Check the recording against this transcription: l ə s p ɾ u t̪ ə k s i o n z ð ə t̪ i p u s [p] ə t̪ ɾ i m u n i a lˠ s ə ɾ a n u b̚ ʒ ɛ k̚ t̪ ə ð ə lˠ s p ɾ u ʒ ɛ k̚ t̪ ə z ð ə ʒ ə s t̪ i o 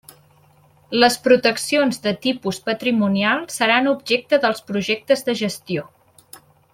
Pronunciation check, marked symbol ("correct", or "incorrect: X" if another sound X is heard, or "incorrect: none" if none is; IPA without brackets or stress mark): correct